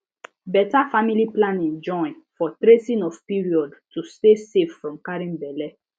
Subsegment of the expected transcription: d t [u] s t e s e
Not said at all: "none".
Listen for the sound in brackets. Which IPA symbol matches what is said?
u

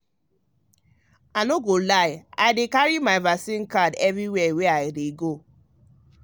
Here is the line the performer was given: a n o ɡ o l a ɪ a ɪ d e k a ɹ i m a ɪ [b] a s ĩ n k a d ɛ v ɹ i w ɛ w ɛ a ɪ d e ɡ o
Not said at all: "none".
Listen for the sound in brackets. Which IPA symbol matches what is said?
v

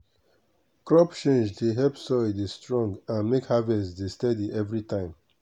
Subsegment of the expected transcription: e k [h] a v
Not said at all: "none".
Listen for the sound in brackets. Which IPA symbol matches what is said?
h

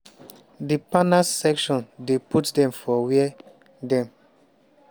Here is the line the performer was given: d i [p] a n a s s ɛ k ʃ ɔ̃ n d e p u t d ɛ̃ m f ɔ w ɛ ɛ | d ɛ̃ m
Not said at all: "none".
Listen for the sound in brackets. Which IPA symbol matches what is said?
p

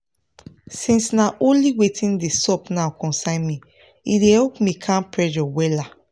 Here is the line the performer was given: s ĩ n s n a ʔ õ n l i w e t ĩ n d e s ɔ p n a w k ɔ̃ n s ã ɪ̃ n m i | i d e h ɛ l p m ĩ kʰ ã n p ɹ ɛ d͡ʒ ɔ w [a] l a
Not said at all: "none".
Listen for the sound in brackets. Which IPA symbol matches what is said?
ɛ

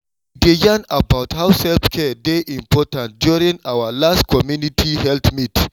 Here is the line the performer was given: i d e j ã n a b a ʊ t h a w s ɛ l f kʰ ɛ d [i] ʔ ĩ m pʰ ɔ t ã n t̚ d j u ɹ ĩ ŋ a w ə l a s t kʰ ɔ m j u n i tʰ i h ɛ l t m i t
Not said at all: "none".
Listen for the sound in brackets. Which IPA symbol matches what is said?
e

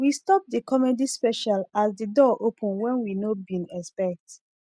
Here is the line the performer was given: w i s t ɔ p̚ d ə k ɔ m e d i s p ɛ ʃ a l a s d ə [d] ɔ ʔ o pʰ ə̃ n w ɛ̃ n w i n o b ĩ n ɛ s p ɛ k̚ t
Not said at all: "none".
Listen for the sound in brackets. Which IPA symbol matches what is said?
d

